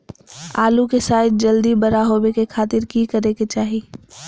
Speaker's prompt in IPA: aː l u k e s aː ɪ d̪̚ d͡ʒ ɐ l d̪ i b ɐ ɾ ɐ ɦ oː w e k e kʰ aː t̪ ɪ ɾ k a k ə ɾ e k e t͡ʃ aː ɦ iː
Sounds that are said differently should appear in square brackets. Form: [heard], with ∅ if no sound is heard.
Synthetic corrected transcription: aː l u k e s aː ɪ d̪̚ d͡ʒ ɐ l d̪ i b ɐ ɾ [a] ɦ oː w e k e kʰ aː t̪ ɪ ɾ k [i] k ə ɾ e k e t͡ʃ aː ɦ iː